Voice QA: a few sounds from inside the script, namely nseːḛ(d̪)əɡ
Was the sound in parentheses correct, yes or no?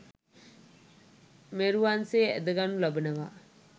yes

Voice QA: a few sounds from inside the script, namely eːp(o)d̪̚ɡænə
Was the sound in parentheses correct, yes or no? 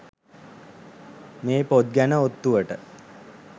yes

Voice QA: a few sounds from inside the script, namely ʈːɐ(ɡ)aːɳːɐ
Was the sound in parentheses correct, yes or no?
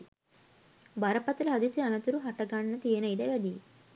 yes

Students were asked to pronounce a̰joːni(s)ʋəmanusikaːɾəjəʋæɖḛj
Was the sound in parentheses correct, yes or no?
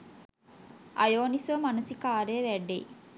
yes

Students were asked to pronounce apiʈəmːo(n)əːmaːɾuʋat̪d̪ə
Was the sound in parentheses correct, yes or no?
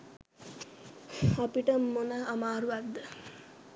yes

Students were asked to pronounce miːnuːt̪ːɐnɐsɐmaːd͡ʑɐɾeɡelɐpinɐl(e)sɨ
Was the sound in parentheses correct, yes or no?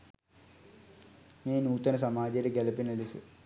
no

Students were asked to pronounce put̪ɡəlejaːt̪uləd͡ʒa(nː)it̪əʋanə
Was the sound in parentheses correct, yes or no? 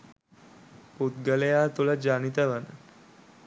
no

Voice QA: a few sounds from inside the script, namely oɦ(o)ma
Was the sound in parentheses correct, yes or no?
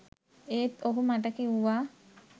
no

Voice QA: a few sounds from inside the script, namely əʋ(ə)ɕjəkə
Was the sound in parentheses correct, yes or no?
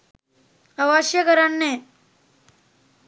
no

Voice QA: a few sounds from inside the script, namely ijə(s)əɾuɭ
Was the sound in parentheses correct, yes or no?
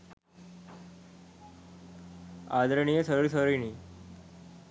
yes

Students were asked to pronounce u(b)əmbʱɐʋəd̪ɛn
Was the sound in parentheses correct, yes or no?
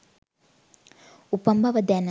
no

